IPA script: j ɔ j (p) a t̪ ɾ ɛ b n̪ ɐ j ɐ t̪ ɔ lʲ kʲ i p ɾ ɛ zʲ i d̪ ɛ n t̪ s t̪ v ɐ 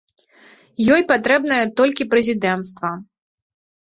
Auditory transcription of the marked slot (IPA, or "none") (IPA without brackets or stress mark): p